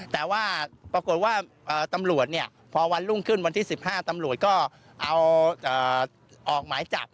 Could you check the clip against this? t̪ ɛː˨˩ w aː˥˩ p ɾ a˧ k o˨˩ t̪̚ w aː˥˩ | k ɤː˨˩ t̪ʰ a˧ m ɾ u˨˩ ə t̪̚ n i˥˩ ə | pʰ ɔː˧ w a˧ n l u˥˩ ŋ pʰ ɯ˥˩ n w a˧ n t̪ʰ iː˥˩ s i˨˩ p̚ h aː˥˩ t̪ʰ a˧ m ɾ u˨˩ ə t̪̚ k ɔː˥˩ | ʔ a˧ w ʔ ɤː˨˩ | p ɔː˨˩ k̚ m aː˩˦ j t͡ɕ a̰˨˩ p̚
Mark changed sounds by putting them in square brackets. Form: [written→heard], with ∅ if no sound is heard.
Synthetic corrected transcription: t̪ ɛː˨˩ w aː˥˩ p ɾ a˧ k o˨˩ t̪̚ w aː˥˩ | [k→ʔ] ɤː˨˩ [t̪ʰ→t̪] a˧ m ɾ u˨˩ ə t̪̚ n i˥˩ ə | pʰ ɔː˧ w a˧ n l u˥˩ ŋ [pʰ→kʰ] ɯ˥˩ n w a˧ n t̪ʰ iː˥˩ s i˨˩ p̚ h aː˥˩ [t̪ʰ→t̪] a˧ m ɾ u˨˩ ə t̪̚ k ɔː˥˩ | ʔ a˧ w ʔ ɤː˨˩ | [p→ʔ] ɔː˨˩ k̚ m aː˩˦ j t͡ɕ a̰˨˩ p̚